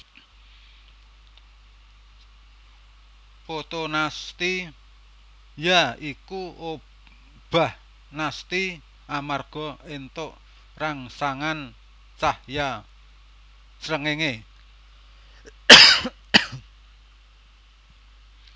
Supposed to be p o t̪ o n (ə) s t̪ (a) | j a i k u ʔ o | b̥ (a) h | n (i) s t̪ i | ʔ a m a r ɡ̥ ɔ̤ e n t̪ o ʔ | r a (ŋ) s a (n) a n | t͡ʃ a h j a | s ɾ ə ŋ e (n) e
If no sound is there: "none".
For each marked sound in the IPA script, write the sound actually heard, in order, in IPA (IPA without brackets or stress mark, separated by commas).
a, i, a, a, ŋ, ŋ, ŋ